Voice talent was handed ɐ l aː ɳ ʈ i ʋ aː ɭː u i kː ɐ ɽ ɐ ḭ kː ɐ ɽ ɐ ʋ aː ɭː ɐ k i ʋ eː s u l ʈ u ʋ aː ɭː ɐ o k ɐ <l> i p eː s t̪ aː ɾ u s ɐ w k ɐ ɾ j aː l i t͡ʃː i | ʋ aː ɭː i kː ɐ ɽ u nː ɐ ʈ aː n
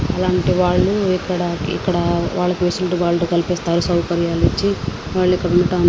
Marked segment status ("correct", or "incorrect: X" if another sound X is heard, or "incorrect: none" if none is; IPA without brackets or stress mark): correct